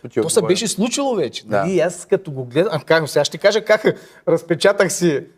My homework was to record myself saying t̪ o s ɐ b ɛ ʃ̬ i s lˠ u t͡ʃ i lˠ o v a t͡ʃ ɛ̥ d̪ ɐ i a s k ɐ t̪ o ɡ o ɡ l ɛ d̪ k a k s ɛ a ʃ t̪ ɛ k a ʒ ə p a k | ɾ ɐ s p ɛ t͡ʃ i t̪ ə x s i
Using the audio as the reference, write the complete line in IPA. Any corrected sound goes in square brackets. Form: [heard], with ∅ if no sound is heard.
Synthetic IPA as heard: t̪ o s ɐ b ɛ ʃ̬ [ɛ] s lˠ u t͡ʃ i lˠ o v [ɛ] t͡ʃ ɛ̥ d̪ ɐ i a s k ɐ t̪ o ɡ o ɡ l ɛ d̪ k a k s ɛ a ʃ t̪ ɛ k a ʒ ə [k] a k | ɾ ɐ s p ɛ t͡ʃ [a] t̪ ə x s i